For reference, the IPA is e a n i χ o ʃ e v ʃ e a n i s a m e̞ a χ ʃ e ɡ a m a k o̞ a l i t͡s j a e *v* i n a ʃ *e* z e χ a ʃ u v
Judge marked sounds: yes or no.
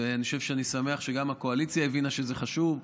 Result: yes, yes

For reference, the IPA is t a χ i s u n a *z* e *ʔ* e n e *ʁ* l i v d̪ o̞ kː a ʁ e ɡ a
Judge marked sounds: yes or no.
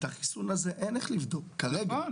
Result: yes, yes, no

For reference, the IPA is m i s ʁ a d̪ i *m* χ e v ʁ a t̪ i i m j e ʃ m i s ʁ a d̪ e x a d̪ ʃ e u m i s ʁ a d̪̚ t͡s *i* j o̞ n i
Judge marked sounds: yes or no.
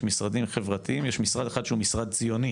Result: yes, yes

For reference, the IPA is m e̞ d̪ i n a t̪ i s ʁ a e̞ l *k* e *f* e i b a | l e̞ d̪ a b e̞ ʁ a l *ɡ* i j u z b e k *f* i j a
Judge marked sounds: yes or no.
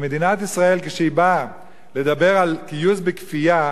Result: yes, no, no, yes

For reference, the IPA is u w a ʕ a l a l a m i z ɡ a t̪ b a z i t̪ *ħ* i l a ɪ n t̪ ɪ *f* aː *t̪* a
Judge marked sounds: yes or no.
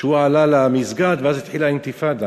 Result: yes, yes, no

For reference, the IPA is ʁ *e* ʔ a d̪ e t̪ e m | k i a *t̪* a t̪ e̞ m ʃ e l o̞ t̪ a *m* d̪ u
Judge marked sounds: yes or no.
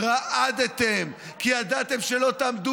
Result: no, no, yes

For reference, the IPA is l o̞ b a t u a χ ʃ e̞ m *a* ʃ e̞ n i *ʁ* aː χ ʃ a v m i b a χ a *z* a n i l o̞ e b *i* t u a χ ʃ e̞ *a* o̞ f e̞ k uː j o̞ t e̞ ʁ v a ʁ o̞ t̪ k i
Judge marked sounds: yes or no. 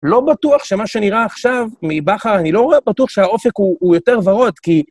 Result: yes, yes, no, no, yes

